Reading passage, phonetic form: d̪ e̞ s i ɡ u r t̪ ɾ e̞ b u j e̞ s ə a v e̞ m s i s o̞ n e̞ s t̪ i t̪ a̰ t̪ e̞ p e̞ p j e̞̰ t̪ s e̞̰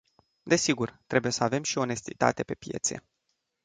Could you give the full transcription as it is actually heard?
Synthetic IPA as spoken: d̪ e̞ s i ɡ u r t̪ ɾ e̞ b u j e̞ s ə a v e̞ m ʃ i o̞ n e̞ s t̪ i t̪ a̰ t̪ e̞ p e̞ p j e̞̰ t̪ s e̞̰